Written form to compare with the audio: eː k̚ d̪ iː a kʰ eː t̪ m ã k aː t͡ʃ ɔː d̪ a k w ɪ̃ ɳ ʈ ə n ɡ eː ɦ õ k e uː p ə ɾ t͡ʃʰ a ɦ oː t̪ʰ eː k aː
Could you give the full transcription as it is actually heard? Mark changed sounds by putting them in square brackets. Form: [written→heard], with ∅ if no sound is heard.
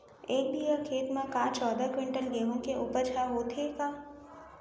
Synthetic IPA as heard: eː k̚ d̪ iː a kʰ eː t̪ m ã k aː t͡ʃ ɔː d̪ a k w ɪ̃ ɳ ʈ ə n ɡ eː ɦ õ k e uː p ə ɾ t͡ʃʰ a ɦ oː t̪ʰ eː k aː

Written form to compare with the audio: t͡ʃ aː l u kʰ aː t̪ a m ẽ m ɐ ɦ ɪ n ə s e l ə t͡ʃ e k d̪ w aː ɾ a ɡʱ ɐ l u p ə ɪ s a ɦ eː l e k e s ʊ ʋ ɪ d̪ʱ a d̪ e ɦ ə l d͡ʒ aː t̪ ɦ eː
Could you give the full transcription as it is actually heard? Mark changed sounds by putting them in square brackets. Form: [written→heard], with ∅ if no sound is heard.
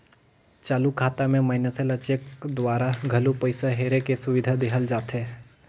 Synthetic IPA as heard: t͡ʃ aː l u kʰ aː t̪ a m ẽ m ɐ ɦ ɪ n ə s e l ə t͡ʃ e k d̪ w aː ɾ a ɡʱ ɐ l u p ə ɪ s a ɦ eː [l→ɾ] e k e s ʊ ʋ ɪ d̪ʱ a d̪ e ɦ ə l d͡ʒ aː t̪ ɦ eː

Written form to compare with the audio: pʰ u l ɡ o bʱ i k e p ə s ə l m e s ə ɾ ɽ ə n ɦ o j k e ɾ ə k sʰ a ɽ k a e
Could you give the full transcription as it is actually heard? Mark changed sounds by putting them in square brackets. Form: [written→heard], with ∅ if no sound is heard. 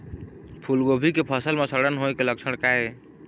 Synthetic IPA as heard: pʰ u l ɡ o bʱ i k e [p→pʰ] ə s ə l m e s ə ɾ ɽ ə n ɦ o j k e [ɾ→l] ə k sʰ [a→ə] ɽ k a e

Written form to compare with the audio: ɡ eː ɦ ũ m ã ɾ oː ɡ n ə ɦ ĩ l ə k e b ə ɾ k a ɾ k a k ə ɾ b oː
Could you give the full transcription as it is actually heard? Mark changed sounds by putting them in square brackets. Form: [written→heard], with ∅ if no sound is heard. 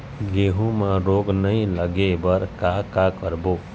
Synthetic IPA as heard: ɡ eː ɦ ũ m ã ɾ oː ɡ n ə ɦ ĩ l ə [k→ɡ] e b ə ɾ k a [ɾ→∅] k a k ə ɾ b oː

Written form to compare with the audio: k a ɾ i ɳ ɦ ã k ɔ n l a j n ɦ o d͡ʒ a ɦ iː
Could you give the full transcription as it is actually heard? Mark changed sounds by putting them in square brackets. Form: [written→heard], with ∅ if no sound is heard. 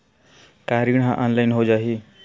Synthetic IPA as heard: k a ɾ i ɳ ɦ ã [k→ʔ] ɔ n l a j n ɦ o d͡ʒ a ɦ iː

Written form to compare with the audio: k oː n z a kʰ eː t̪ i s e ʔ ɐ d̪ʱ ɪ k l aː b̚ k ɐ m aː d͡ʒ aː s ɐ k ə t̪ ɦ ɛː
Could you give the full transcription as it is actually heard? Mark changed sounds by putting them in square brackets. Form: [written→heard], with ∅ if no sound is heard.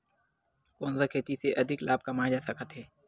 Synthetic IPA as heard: k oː n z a kʰ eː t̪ i s e ʔ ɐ d̪ʱ ɪ k l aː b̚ k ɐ m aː d͡ʒ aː s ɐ k ə t̪ ɦ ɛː

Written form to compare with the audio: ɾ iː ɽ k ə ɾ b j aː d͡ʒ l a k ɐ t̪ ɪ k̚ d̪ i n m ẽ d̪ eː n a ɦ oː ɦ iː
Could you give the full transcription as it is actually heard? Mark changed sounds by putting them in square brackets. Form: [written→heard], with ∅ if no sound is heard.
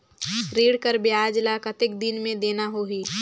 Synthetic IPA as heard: ɾ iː ɽ k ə ɾ b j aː d͡ʒ l a k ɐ t̪ ɪ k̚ d̪ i n m ẽ d̪ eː n a ɦ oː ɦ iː

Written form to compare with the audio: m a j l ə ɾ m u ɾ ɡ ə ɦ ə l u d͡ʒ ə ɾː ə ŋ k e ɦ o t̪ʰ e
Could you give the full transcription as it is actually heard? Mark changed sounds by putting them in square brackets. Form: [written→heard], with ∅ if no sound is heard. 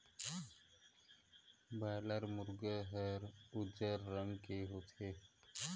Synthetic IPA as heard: [m→b] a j l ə ɾ m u ɾ ɡ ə ɦ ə [l→ɾ] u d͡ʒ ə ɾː ə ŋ k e ɦ o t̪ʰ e

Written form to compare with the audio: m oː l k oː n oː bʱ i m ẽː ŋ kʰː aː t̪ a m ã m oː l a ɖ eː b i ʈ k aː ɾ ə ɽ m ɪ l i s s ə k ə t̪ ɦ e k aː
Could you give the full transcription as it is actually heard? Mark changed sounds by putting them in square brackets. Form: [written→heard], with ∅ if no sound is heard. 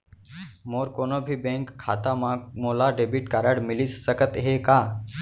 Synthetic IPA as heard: m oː [l→ɾ] k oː n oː bʱ i [m→b] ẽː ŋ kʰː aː t̪ a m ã m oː l a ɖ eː b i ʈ k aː ɾ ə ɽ m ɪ l i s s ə k ə t̪ ɦ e k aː

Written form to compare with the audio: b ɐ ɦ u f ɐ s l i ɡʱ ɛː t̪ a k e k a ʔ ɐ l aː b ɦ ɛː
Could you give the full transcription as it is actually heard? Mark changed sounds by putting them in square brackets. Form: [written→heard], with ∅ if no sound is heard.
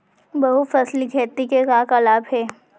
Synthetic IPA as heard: b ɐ ɦ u f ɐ s l i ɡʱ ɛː t̪ [a→i] k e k a [ʔ→k] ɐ l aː b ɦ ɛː

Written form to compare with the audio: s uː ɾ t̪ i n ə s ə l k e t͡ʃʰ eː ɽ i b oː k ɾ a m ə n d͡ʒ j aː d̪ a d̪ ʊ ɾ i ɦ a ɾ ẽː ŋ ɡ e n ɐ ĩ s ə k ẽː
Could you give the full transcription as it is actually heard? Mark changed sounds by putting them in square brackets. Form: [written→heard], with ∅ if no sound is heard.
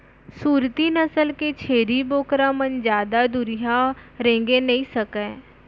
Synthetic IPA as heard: s uː ɾ t̪ i n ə s ə l k e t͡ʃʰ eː [ɽ→ɾ] i b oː k ɾ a m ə n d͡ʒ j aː d̪ a d̪ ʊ ɾ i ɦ a ɾ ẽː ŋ ɡ e n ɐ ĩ s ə k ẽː

